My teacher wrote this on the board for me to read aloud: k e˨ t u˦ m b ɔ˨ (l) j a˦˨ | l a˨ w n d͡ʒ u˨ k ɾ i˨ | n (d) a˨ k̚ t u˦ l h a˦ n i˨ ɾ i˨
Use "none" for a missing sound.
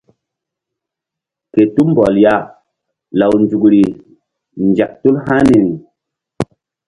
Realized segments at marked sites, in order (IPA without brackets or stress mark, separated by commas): l, d͡ʒ